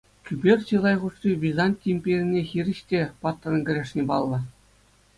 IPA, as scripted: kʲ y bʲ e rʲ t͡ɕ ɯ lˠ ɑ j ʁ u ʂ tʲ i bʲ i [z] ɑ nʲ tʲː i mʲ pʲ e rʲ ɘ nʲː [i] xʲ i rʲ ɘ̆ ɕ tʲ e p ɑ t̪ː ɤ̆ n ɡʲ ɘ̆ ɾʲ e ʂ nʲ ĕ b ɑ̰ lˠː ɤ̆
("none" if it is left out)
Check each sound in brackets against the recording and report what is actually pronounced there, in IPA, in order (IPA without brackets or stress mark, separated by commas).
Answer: z, e